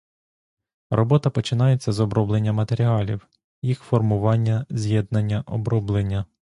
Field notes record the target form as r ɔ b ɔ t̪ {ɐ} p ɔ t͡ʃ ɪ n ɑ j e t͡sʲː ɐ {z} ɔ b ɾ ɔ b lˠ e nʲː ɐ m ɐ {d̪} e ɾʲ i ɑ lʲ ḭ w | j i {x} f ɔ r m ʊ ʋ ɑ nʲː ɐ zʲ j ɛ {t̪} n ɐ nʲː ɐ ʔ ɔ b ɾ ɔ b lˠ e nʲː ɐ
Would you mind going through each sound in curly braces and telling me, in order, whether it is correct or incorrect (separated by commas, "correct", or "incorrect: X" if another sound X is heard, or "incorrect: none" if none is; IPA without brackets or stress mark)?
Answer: correct, correct, incorrect: t̪, correct, incorrect: d̪